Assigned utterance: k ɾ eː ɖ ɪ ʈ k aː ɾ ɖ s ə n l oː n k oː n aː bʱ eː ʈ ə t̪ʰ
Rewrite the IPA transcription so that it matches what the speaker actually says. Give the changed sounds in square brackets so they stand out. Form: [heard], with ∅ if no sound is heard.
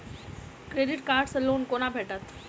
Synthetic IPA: k ɾ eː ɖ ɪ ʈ k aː ɾ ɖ s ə [∅] l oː n k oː n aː bʱ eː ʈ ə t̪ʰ